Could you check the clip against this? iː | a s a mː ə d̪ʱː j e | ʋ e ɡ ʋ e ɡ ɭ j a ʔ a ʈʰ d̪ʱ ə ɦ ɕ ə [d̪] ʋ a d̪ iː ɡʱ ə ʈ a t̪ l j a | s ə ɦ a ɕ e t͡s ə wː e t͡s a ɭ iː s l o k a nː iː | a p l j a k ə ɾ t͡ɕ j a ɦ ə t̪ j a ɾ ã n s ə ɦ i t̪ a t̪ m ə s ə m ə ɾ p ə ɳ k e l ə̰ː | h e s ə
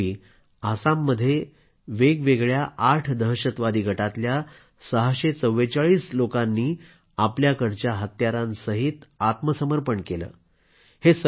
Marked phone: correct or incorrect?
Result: incorrect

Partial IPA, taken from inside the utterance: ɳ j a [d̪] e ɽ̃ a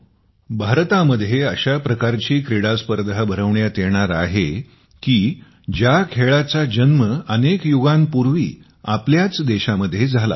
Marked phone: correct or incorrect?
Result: incorrect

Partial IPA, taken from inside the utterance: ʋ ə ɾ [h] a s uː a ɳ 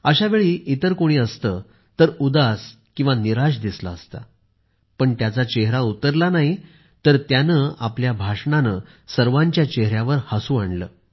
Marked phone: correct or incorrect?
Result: correct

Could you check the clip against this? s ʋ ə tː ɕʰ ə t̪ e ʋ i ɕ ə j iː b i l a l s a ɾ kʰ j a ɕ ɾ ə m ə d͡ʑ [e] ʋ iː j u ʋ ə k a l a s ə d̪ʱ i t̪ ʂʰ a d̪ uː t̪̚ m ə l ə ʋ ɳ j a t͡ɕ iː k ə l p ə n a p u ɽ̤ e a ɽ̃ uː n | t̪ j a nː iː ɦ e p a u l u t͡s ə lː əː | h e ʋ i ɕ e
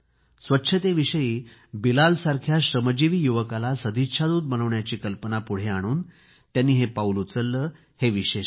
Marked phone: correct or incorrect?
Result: incorrect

